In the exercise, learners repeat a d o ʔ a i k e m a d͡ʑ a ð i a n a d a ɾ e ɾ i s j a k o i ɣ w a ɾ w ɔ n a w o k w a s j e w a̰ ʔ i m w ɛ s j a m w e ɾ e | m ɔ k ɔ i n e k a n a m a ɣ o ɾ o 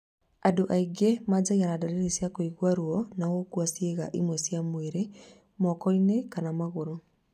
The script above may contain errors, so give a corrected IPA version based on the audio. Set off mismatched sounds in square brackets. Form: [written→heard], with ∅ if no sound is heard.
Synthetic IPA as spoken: a d o ʔ a i [k→ɡ] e m a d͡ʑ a [ð→ɣ] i a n a d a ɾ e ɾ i s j a k o i ɣ w a ɾ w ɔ n a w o k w a s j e [w→ɣ] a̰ ʔ i m w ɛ s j a m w e ɾ e | m ɔ k ɔ i n e k a n a m a ɣ o ɾ o

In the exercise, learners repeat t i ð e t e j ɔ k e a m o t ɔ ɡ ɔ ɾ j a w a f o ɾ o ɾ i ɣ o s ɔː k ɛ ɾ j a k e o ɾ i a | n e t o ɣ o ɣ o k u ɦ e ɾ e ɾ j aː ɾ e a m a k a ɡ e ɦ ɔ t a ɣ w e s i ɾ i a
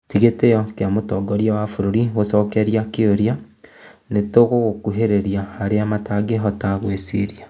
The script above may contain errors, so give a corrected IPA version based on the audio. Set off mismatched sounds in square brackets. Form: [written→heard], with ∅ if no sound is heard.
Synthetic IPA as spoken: t i [ð→ɣ] e t e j ɔ k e a m o t ɔ ɡ ɔ ɾ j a w a f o ɾ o ɾ i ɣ o s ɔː k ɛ ɾ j a k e o ɾ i a | n e t o ɣ o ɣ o k u ɦ e ɾ e ɾ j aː ɾ e a m a [k→t] a ɡ e ɦ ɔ t a ɣ w e s i ɾ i a

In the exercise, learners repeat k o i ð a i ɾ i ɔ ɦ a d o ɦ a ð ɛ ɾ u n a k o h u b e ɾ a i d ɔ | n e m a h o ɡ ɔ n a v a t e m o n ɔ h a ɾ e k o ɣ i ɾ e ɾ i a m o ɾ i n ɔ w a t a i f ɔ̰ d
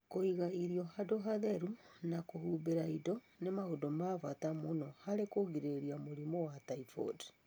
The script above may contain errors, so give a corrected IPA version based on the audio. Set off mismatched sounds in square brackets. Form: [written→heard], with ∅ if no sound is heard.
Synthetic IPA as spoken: k o i [ð→ɣ] a i ɾ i ɔ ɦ a d o ɦ a ð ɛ ɾ u n a k o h u b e ɾ a i d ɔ | n e m a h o [ɡ→d] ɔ [n→m] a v a t [e→a] m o n ɔ h a ɾ e k o ɣ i ɾ e ɾ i a m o ɾ i [n→m] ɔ w a t a i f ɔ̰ d

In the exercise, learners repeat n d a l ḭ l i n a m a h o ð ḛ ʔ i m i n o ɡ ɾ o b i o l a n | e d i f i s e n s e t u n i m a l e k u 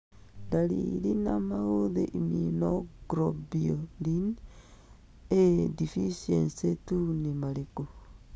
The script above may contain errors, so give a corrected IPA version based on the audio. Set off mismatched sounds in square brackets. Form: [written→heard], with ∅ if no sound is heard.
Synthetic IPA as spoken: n d a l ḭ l i n a m a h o ð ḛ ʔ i m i n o ɡ ɾ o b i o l [a→i] n | e d i f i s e n s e t u n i m a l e k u

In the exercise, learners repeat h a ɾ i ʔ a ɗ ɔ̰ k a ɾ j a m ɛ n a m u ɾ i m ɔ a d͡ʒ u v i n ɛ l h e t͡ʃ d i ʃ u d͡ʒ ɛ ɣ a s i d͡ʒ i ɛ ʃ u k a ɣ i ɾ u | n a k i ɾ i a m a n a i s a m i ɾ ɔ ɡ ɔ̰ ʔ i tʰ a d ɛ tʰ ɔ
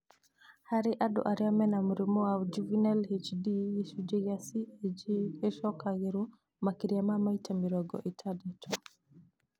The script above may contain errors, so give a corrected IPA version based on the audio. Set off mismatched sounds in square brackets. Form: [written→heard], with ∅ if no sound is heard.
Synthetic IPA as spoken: h a ɾ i ʔ a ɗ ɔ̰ [k→ʔ] a ɾ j a m ɛ n a m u ɾ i m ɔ a d͡ʒ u v i n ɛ l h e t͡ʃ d i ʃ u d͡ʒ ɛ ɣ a s i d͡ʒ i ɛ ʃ [u→ɔ] k a ɣ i ɾ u | [n→m] a k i ɾ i a m a [n→m] a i [s→t] a m i ɾ ɔ ɡ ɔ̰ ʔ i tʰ a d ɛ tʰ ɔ

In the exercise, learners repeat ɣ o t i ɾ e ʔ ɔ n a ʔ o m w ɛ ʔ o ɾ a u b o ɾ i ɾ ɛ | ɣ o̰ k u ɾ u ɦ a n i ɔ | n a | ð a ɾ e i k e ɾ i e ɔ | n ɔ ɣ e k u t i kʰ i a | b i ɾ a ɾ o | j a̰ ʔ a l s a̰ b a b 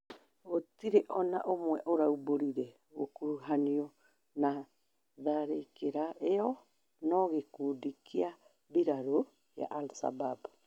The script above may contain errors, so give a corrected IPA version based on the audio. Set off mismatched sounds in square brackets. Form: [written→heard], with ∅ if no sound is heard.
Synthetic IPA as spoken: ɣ o t i ɾ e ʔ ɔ n a ʔ o m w ɛ ʔ o ɾ a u b o ɾ i ɾ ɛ | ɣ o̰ k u ɾ u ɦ a n i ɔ | n a | ð a ɾ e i k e ɾ [i→a] e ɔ | n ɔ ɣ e k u [t→d] i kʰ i a | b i ɾ a ɾ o | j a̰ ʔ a l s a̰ b a b

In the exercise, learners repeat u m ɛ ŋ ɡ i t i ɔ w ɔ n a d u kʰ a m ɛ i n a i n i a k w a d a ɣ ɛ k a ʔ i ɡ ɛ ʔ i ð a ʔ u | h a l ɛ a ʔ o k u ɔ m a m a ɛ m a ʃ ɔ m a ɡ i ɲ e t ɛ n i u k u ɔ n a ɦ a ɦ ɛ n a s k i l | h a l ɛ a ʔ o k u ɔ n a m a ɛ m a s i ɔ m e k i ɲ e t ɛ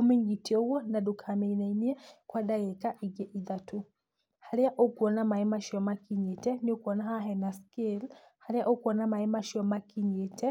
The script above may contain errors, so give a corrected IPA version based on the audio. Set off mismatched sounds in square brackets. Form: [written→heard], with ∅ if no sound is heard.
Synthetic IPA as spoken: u m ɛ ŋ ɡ i t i ɔ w ɔ n a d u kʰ a m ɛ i n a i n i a k w a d a ɣ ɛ k a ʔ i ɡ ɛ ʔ i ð a [ʔ→t] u | h a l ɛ a ʔ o k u ɔ [m→n] a m a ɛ m a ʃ ɔ m a [ɡ→k] i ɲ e t ɛ n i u k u ɔ n a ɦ a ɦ ɛ n a s k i l | h a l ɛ a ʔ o k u ɔ n a m a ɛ m a [s→ʃ] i ɔ m [e→a] k i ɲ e t ɛ

